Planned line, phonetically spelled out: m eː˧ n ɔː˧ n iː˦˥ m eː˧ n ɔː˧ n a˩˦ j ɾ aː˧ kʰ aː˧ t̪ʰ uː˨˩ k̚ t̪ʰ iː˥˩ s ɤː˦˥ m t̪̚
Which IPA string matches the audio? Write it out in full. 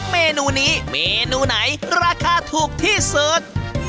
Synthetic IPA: m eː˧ n uː˧ n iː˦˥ m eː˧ n uː˧ n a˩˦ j ɾ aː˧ kʰ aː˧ t̪ʰ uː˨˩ k̚ t̪ʰ iː˥˩ s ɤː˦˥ t̪̚